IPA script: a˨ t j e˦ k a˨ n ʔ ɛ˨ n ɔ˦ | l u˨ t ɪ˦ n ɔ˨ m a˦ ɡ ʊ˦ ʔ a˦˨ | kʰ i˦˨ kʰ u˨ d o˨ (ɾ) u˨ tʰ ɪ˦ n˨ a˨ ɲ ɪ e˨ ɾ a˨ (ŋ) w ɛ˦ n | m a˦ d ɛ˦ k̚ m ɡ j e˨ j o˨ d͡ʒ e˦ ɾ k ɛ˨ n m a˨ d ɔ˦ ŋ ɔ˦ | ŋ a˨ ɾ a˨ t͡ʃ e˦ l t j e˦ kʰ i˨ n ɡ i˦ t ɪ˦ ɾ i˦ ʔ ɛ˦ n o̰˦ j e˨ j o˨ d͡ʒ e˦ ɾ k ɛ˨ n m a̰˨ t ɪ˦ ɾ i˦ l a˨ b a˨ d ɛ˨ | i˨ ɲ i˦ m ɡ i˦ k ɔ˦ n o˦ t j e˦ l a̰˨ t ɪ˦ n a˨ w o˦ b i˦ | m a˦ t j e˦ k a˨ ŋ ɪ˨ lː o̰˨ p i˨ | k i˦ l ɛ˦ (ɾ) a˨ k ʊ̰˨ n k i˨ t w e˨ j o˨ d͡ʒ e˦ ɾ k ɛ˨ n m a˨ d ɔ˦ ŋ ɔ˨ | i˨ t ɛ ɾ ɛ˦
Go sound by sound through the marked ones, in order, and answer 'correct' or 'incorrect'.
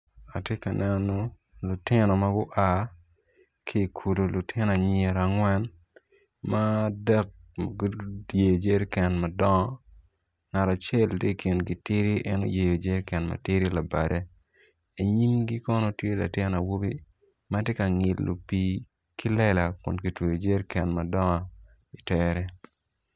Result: incorrect, correct, incorrect

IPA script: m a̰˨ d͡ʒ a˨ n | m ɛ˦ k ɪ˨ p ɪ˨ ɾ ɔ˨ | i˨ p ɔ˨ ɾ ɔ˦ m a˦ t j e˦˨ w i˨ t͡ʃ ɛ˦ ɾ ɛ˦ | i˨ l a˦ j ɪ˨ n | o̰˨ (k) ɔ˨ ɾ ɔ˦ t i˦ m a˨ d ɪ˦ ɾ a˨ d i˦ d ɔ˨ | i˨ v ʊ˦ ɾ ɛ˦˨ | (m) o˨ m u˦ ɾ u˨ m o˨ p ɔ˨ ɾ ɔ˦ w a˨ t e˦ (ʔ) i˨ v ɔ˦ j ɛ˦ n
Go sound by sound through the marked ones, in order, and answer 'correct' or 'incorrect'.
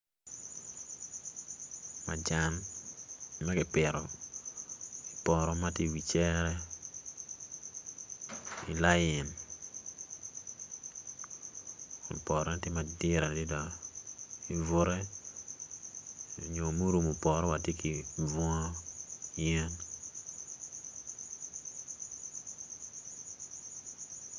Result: incorrect, incorrect, incorrect

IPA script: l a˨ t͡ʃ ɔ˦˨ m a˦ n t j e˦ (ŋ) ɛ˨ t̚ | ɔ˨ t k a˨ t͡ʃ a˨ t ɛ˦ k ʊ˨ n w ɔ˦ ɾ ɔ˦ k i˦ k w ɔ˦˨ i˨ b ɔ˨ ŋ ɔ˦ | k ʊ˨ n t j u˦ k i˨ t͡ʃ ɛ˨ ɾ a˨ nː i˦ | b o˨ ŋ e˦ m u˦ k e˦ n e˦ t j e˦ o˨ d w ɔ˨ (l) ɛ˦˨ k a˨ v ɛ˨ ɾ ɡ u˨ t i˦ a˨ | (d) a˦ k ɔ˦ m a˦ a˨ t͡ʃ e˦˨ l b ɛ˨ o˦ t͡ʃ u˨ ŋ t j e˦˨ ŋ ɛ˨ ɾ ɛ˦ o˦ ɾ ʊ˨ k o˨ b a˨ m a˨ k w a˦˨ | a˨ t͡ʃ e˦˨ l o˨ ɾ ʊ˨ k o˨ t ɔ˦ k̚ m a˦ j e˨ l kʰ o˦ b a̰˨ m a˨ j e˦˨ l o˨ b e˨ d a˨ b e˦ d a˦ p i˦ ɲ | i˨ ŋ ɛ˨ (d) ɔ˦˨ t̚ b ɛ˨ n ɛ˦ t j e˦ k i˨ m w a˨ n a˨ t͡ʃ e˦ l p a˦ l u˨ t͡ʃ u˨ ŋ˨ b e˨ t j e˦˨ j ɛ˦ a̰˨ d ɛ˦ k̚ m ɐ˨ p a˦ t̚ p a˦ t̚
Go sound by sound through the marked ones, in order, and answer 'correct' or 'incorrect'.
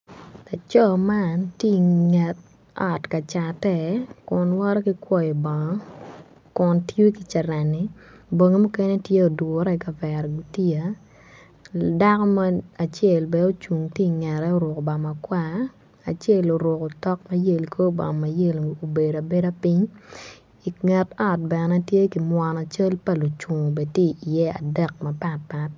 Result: correct, incorrect, correct, incorrect

